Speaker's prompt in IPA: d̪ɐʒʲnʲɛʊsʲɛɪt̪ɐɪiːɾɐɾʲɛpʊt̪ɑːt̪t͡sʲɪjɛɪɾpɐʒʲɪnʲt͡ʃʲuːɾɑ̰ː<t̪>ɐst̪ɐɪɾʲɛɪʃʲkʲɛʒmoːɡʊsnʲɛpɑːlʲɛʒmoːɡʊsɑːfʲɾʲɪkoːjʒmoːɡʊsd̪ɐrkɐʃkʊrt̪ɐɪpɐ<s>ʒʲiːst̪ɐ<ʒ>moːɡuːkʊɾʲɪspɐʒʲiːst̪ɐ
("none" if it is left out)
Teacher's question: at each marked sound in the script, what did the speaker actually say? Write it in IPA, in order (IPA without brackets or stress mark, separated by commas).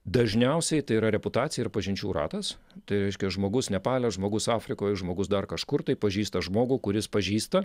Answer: t̪, none, ʒ